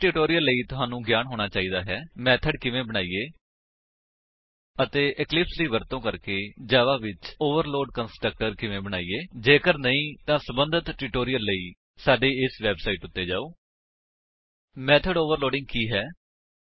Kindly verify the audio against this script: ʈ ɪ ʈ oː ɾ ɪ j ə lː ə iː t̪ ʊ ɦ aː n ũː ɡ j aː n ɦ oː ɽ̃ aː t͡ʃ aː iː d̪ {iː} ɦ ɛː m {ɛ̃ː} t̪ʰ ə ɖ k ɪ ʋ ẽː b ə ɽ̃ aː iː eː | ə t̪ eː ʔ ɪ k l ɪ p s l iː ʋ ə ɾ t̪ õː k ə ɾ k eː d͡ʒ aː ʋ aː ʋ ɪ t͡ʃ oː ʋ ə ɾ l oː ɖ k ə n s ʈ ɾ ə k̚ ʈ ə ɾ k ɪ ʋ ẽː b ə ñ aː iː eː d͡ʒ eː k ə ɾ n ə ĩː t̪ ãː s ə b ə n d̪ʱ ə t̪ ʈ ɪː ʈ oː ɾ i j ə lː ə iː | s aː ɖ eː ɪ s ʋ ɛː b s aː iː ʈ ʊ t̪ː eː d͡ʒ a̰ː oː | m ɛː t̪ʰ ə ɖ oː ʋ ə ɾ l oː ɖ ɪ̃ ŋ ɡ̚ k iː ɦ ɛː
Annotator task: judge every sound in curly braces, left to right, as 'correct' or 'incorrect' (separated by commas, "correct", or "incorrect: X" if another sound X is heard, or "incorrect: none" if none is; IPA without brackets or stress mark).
incorrect: aː, incorrect: ɛː